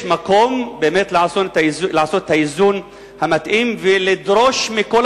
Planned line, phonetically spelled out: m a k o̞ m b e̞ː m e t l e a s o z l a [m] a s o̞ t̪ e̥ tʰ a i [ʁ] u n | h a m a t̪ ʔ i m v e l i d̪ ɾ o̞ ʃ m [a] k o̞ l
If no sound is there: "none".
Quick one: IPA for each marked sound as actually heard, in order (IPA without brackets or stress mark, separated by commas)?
none, z, i